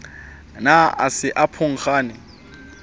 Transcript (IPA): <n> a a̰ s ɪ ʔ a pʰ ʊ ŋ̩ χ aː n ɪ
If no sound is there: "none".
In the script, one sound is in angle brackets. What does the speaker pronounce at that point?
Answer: n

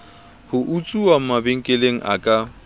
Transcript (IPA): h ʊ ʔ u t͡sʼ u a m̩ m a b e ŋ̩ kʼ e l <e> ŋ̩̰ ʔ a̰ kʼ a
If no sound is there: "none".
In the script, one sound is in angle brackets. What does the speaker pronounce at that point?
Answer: e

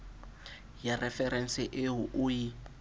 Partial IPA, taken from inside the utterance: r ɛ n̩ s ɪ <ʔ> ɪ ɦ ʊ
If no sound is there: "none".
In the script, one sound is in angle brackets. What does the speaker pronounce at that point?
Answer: ʔ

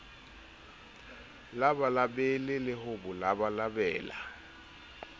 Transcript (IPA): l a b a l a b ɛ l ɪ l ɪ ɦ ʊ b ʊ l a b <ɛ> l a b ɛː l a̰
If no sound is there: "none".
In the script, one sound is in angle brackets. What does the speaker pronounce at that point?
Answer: a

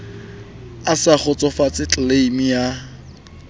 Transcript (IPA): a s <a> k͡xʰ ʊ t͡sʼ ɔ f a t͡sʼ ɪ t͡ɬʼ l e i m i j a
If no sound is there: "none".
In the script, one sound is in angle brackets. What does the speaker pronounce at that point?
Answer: a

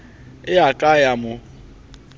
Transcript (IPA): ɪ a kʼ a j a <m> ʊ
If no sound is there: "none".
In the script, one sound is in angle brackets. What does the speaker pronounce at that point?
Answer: m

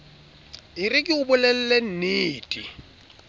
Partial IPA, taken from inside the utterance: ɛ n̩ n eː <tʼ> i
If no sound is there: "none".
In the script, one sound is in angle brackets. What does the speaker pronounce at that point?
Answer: tʼ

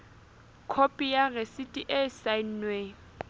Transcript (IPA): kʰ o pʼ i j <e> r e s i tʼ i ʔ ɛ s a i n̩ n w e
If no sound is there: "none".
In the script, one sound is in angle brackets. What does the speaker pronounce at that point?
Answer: a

